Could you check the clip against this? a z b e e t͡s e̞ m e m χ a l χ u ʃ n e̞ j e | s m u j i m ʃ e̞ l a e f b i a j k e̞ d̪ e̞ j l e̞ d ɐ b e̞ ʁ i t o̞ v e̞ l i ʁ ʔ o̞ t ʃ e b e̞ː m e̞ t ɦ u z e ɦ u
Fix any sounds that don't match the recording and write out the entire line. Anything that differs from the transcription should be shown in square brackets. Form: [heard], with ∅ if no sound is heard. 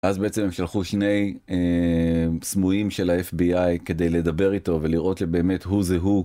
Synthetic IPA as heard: a z b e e t͡s e̞ m e m [ʃ] a l χ u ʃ n e̞ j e | s m u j i m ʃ e̞ l a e f b i a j k e̞ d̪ e̞ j l e̞ d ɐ b e̞ ʁ i t o̞ v e̞ l i ʁ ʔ o̞ t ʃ e b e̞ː m e̞ t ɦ u z e ɦ u

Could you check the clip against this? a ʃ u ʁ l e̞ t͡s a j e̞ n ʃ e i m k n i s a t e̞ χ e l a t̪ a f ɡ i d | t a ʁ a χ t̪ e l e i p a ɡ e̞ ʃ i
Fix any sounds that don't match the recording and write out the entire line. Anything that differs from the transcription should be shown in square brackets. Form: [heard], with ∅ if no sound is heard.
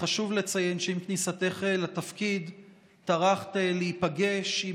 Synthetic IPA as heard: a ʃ u [v] l e̞ t͡s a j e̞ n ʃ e i m k n i s a t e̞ χ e l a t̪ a f [k] i d | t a ʁ a χ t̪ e l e i p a ɡ e̞ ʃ i

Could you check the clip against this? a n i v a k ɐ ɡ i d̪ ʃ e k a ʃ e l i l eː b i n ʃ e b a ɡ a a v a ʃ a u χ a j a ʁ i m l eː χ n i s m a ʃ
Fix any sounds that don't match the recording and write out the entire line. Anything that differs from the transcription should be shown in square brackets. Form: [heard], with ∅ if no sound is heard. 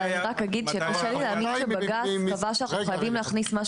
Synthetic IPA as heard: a n i [ʁ] a k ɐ ɡ i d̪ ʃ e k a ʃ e l i l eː [m] i n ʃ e b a ɡ a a v a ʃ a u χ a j a [v] i m l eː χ n i s m a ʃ

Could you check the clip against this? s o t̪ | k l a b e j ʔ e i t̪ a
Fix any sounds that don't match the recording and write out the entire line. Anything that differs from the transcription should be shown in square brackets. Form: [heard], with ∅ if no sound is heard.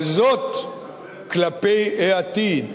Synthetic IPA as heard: [z] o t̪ | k l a [p] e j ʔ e [a] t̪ [i]

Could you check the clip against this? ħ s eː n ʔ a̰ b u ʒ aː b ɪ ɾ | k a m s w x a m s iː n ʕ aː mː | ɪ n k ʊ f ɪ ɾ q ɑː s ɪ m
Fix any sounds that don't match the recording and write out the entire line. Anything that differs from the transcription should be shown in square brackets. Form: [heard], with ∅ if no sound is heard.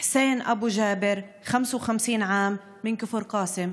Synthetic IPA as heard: ħ s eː n ʔ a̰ b u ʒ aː b ɪ ɾ | [x] a m s w x a m s iː n ʕ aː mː | ɪ n k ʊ f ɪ ɾ q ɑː s ɪ m

